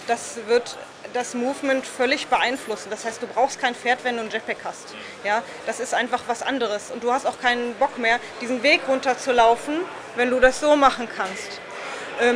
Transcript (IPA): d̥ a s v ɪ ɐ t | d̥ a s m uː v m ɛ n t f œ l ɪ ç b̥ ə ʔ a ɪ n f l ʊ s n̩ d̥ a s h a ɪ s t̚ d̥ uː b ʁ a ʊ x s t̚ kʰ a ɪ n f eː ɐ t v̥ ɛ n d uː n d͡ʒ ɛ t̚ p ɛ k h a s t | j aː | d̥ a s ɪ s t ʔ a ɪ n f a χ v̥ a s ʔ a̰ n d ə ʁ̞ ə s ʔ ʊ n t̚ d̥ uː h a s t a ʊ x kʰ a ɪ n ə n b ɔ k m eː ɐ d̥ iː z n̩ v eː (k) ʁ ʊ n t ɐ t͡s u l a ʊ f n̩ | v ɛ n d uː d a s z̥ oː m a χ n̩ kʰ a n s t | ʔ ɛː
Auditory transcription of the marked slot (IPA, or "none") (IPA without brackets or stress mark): k